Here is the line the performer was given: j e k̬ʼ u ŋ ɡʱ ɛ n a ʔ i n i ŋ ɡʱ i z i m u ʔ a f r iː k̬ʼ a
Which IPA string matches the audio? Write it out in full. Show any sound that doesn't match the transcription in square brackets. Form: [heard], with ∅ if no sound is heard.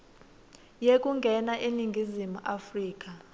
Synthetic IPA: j e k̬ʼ u ŋ ɡʱ ɛ n a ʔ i n i ŋ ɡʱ i z i m u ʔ a f r iː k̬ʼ a